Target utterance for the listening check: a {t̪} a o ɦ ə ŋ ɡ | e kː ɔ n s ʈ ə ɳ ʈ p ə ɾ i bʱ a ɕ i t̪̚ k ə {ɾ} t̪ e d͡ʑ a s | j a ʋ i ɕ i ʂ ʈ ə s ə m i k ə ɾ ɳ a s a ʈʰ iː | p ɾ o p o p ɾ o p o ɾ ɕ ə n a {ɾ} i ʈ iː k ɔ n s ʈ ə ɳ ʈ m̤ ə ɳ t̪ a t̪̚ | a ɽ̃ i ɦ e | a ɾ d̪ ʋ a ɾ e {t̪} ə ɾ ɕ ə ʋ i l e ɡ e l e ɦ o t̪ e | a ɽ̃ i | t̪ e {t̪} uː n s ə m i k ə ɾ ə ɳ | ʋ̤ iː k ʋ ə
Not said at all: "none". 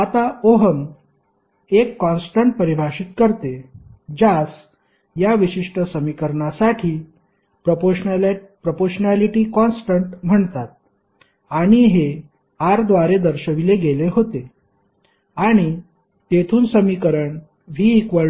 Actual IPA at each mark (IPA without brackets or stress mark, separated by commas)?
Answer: t̪, ɾ, l, d̪, t̪ʰ